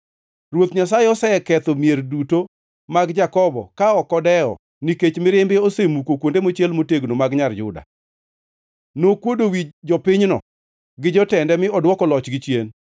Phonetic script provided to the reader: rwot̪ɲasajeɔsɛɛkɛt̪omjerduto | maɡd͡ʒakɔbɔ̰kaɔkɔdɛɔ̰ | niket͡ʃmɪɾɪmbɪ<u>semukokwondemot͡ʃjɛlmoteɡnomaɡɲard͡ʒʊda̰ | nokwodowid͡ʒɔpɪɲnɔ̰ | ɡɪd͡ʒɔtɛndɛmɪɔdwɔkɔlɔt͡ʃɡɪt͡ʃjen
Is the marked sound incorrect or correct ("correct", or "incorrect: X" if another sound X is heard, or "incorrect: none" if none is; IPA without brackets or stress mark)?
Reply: incorrect: o